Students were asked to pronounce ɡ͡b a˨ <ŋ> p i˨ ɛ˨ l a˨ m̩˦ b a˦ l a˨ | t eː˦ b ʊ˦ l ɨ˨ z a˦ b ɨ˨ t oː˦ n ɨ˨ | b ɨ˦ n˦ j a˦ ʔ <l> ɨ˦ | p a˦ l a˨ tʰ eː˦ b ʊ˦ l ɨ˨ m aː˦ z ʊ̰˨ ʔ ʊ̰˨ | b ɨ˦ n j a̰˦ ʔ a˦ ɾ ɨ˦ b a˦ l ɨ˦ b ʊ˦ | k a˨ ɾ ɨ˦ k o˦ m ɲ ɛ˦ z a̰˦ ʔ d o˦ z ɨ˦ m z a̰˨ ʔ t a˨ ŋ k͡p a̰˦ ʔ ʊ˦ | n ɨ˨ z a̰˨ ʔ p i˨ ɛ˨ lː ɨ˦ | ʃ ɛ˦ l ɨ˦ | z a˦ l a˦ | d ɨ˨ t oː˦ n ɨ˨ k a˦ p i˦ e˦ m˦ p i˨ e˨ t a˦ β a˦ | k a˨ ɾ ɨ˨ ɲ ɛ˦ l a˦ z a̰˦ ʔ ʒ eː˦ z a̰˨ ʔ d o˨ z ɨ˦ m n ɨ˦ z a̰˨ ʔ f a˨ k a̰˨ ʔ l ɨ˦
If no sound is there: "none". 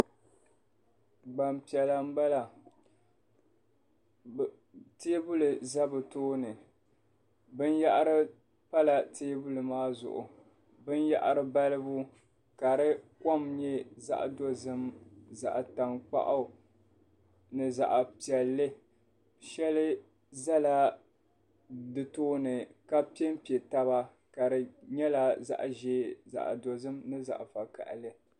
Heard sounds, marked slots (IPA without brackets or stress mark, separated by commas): m, ɾ